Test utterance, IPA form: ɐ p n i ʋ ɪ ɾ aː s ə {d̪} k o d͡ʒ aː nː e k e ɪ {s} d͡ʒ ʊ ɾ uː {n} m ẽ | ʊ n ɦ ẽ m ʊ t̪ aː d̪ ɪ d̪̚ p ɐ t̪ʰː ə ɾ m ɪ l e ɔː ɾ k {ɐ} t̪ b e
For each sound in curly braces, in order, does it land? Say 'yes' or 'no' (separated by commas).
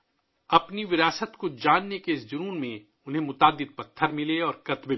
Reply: no, yes, yes, yes